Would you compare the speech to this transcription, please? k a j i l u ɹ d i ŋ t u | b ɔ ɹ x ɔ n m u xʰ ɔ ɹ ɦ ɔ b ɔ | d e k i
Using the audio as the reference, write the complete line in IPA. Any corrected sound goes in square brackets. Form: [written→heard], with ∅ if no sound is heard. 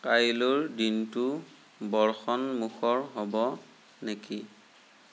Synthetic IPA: k a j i l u ɹ d i [ŋ→n] t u | b ɔ ɹ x ɔ n m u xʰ ɔ ɹ ɦ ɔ b ɔ | [d→n] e k i